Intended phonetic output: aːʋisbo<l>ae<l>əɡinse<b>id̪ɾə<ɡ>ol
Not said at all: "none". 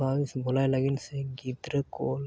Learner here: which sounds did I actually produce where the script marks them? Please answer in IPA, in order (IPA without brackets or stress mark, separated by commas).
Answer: l, l, ɡ, k